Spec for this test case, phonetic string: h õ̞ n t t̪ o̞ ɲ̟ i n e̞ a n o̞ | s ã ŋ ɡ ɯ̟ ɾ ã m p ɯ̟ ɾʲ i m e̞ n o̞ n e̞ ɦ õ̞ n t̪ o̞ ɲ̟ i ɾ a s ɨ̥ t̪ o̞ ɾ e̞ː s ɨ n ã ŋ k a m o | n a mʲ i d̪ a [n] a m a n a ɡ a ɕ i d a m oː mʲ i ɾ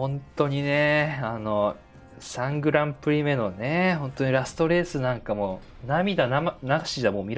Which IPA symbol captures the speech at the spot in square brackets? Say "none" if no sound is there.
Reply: n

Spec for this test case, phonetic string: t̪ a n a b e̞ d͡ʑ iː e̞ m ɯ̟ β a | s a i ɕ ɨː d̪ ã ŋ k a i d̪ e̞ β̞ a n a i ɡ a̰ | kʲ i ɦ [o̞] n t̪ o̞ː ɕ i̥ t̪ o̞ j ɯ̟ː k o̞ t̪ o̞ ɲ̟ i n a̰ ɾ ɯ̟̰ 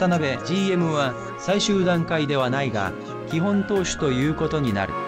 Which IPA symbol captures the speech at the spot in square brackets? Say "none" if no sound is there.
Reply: õ̞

